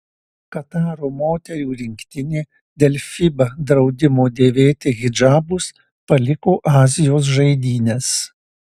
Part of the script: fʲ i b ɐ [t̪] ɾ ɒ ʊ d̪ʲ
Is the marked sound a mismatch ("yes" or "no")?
yes